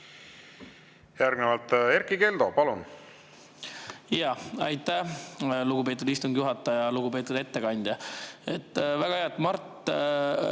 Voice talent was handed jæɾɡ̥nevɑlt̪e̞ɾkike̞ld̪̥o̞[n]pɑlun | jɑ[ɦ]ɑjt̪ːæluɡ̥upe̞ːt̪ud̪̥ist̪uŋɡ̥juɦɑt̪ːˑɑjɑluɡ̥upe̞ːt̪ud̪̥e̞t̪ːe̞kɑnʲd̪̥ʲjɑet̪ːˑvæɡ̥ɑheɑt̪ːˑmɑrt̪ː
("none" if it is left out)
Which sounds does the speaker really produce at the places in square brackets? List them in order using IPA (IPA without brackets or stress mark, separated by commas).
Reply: none, none